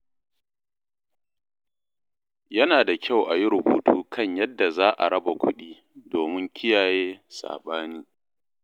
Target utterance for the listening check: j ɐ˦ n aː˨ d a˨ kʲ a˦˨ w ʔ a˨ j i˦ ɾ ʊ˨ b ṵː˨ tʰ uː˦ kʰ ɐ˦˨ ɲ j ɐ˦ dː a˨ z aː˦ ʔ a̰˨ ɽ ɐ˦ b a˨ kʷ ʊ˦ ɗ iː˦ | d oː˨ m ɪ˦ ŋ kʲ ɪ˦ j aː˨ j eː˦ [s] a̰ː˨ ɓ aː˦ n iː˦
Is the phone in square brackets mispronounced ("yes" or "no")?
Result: no